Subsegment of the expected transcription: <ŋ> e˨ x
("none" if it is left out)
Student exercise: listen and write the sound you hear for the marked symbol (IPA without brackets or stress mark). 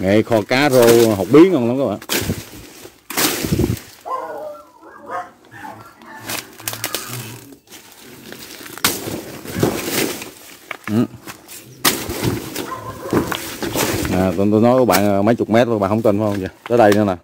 ŋ